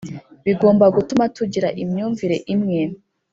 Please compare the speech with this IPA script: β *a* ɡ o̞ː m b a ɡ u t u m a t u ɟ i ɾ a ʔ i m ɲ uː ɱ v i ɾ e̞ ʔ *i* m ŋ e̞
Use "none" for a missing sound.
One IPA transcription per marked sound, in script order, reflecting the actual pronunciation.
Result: i, i

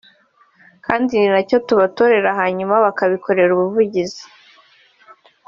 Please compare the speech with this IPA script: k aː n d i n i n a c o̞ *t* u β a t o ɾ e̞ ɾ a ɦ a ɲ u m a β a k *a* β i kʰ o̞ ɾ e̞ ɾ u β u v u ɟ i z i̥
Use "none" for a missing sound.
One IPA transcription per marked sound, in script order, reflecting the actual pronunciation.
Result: t, a

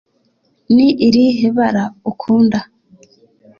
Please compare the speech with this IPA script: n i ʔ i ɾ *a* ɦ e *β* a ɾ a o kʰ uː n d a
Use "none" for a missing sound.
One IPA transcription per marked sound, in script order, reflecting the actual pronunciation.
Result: i, β

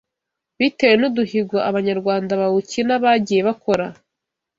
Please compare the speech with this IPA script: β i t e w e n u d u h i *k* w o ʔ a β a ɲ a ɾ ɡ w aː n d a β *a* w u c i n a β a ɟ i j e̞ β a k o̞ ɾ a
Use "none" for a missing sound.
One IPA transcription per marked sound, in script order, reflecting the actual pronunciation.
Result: ɡ, a

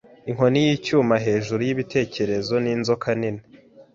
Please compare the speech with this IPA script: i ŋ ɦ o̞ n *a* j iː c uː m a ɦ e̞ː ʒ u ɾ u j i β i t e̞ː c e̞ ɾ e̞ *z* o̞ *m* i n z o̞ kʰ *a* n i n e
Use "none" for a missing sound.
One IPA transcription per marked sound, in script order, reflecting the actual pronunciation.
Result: i, z, n, a

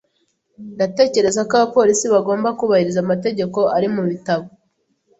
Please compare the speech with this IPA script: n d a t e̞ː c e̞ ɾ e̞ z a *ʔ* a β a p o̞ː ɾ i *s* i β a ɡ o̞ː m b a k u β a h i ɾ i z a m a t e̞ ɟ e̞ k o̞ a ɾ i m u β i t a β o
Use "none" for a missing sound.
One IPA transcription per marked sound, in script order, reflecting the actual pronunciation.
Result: k, s

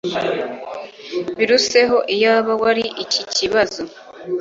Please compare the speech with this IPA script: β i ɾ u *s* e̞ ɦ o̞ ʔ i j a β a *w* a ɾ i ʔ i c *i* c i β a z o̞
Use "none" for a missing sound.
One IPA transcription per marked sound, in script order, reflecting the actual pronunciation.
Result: s, w, i

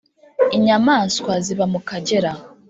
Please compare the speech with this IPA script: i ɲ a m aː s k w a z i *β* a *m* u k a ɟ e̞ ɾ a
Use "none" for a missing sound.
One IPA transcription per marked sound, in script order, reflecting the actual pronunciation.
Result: β, m

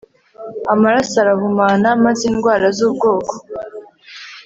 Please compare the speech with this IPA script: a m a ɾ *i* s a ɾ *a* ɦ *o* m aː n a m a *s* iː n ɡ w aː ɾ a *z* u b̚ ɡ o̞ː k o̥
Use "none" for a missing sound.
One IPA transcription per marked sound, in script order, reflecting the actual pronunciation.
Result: a, a, u, z, z

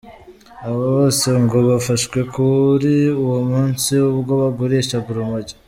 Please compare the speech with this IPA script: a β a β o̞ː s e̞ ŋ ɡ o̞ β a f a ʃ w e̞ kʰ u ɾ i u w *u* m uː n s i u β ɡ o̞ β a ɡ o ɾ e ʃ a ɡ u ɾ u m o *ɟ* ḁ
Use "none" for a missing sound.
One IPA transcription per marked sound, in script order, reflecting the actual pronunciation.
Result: o, ɟ

